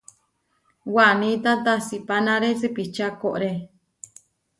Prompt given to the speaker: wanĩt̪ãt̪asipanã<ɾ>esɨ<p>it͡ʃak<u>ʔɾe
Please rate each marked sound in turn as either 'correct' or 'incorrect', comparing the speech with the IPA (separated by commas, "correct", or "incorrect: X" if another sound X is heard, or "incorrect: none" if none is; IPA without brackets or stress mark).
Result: correct, correct, incorrect: o